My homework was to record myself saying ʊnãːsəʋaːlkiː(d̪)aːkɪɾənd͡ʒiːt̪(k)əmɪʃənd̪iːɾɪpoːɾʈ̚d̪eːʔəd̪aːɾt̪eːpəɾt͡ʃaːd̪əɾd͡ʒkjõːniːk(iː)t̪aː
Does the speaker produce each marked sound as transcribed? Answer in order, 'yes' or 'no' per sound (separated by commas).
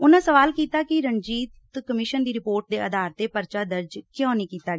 no, yes, yes